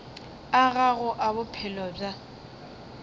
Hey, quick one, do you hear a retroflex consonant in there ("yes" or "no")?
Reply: yes